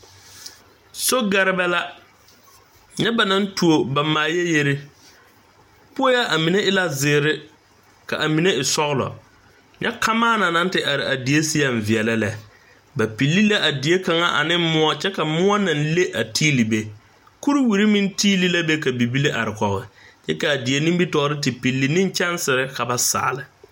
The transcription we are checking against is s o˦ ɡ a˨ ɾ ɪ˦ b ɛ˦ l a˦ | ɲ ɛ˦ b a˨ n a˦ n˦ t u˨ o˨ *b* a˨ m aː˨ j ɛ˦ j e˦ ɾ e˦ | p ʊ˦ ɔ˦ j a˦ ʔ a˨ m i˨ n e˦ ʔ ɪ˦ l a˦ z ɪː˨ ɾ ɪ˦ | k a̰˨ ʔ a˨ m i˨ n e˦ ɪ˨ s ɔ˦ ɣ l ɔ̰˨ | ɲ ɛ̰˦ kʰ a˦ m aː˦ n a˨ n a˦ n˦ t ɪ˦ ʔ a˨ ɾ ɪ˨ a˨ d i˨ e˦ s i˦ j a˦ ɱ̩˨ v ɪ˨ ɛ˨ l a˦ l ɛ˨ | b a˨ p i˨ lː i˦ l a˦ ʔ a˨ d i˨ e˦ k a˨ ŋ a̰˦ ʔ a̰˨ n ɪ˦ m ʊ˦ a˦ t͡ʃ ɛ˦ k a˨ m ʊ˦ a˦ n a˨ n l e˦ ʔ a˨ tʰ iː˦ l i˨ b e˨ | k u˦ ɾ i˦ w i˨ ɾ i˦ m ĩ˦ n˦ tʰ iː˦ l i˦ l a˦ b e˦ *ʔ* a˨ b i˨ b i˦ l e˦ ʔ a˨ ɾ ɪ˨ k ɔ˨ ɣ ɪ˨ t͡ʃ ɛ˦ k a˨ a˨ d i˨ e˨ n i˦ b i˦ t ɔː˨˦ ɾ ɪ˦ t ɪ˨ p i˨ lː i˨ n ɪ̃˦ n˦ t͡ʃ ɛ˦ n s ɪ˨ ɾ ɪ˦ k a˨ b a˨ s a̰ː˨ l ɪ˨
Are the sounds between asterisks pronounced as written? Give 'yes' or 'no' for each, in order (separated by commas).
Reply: yes, no